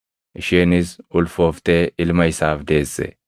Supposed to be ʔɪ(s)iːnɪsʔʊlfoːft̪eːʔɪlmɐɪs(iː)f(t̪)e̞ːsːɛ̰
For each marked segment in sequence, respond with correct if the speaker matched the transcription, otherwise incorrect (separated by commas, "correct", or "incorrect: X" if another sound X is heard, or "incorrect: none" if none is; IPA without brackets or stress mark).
incorrect: ʃ, incorrect: aː, incorrect: d̪